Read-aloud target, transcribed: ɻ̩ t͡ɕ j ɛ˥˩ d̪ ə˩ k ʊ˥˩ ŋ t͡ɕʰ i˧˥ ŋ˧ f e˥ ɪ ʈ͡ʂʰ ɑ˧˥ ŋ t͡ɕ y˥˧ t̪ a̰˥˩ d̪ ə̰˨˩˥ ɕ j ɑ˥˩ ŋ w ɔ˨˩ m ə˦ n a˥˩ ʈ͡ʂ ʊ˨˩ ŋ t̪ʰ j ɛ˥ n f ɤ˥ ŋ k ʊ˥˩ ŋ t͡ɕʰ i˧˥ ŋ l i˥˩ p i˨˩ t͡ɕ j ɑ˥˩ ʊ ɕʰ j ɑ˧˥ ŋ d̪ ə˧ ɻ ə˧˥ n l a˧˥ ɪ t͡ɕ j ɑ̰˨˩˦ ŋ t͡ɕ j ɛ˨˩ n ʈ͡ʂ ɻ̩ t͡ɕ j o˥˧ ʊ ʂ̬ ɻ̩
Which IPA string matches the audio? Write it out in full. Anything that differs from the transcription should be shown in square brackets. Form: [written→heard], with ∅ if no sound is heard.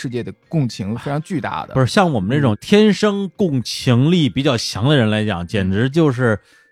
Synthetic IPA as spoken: ɻ̩ t͡ɕ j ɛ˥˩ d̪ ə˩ k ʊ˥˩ ŋ t͡ɕʰ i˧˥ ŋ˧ f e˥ ɪ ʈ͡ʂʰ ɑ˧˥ ŋ t͡ɕ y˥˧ t̪ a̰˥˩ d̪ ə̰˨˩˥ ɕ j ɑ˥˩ ŋ w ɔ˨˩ m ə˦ n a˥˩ ʈ͡ʂ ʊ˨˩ ŋ t̪ʰ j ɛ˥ n [f→ʂ] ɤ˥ ŋ k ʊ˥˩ ŋ t͡ɕʰ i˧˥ ŋ l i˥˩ p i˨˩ t͡ɕ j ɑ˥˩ ʊ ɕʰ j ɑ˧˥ ŋ d̪ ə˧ ɻ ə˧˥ n l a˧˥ ɪ t͡ɕ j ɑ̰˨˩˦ ŋ t͡ɕ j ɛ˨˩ n ʈ͡ʂ ɻ̩ t͡ɕ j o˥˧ ʊ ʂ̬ ɻ̩